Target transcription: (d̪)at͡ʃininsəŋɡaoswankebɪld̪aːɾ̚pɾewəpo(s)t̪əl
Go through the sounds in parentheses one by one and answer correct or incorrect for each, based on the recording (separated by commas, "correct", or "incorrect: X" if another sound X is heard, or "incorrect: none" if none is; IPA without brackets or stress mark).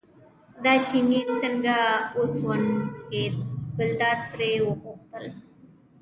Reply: correct, incorrect: x